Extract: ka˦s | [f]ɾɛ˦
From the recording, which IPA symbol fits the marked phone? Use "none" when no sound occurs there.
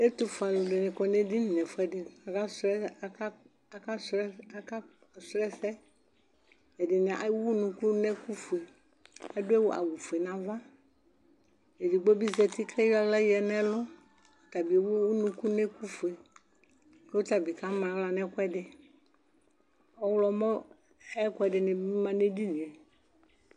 s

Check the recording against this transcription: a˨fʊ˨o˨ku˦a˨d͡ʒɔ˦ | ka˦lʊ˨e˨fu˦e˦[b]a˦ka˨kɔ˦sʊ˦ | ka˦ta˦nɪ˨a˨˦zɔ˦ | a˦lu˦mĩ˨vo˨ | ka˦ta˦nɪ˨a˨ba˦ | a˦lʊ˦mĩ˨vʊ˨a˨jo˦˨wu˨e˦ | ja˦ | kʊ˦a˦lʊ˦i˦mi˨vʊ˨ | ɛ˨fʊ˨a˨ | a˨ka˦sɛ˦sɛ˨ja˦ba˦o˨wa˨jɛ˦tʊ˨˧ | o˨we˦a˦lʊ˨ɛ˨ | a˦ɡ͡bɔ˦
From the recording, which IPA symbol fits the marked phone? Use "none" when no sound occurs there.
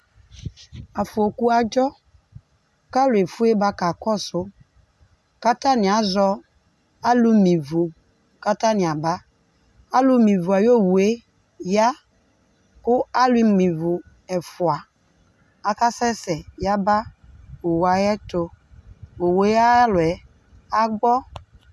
b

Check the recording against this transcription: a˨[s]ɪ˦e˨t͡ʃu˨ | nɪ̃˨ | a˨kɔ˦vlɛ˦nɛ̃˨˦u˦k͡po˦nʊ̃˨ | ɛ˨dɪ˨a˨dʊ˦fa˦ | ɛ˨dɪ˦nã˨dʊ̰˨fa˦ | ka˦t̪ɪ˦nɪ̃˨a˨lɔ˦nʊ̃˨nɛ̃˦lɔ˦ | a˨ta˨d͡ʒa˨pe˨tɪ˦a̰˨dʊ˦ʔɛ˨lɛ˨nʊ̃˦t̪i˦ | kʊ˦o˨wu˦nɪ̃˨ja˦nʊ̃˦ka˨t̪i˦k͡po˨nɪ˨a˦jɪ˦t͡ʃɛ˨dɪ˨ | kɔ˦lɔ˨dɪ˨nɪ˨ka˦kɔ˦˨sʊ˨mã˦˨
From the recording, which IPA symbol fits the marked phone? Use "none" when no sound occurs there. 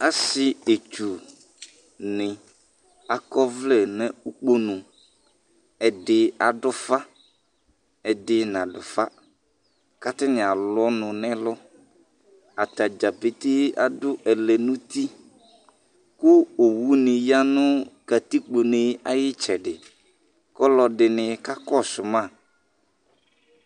s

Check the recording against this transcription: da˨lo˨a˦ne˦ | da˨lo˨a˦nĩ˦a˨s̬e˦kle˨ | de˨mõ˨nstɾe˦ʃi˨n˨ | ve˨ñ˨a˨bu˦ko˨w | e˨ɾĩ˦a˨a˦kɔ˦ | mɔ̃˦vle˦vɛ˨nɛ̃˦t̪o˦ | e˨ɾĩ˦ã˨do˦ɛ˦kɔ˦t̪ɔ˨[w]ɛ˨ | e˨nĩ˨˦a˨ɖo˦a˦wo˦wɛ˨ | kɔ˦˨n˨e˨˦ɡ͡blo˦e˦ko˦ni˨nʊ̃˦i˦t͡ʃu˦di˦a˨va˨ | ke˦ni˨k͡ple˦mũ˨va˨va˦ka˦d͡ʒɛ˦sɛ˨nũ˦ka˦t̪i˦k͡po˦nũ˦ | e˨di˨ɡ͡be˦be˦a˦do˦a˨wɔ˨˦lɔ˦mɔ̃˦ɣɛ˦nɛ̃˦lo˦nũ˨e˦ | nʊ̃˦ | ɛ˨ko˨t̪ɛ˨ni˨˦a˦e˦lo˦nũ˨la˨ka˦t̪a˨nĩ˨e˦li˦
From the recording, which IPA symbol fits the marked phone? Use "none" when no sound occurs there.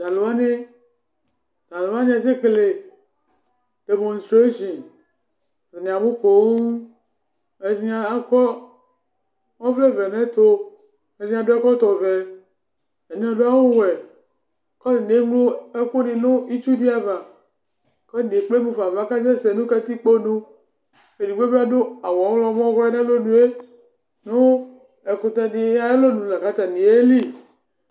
v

